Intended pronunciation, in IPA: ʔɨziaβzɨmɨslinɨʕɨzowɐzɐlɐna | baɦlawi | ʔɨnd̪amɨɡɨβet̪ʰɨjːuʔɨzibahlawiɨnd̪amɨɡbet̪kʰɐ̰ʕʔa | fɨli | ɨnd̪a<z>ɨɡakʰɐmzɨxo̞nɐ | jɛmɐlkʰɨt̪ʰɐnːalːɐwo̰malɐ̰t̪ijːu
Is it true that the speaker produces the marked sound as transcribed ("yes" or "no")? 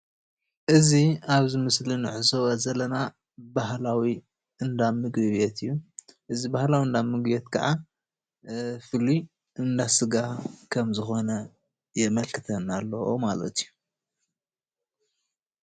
no